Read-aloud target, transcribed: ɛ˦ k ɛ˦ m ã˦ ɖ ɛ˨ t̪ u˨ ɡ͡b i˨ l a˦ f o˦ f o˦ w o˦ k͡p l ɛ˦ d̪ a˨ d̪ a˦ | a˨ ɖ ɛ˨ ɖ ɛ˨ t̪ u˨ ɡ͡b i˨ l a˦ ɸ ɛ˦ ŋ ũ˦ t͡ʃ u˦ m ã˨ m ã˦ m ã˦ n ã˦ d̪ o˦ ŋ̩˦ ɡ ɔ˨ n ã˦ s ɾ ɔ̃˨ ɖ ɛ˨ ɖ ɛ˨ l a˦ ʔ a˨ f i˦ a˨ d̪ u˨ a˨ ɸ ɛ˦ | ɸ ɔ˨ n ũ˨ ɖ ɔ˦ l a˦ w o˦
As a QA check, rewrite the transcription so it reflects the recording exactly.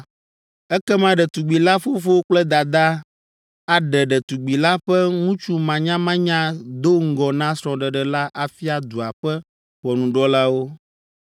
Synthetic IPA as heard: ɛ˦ k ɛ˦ m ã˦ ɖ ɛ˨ t̪ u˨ ɡ͡b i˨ l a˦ f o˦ f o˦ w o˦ k͡p l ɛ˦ d̪ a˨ d̪ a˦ | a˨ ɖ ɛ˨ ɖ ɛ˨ t̪ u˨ ɡ͡b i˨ l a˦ ɸ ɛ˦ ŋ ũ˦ t͡ʃ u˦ m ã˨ ɲ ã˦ m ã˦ ɲ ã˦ d̪ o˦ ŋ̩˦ ɡ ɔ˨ n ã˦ s ɾ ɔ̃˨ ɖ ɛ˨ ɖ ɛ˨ l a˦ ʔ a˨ f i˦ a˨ d̪ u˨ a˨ ɸ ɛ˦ | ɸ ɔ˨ n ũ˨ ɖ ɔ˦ l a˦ w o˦